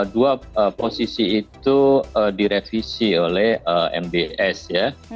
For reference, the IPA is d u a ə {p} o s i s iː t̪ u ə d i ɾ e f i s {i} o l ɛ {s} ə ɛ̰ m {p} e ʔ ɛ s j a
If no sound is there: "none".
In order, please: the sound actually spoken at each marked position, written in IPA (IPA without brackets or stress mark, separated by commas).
p, i, h, b